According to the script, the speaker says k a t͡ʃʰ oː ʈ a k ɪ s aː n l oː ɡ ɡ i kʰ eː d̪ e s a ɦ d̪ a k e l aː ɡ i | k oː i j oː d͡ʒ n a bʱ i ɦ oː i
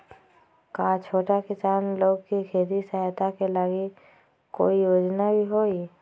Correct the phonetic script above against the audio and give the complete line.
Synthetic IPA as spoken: k a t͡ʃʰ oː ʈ a k ɪ s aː n l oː ɡ k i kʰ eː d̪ i s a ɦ t̪ a k e l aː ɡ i | k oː i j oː d͡ʒ n a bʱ i ɦ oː i